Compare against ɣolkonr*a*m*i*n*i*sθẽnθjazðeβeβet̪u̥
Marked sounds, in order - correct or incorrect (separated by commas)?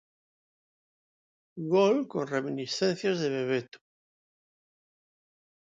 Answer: incorrect, correct, correct